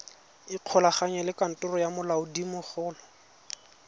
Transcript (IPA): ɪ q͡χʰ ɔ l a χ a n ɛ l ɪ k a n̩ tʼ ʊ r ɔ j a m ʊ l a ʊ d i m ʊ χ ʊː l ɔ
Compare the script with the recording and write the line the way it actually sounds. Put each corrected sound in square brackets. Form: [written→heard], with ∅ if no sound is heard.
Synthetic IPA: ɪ q͡χʰ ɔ l a χ a [n→ɲ] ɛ l ɪ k a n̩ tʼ ʊ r ɔ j a m ʊ l a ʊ d i m ʊ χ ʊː l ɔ